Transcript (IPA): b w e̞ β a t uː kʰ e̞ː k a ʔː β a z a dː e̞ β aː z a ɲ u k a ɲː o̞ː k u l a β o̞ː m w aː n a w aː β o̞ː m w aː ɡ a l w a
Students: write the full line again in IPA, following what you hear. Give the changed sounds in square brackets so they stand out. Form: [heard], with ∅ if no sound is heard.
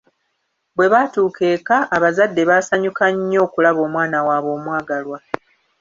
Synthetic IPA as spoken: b w e̞ β a t uː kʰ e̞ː k a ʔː β a z a dː e̞ β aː [s] a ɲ u k a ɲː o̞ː k u l a β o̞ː m w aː n a w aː β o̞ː m w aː ɡ a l w a